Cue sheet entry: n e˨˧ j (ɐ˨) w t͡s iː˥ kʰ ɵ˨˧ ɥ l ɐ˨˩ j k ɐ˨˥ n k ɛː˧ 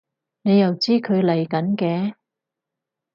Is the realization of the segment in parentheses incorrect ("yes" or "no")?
no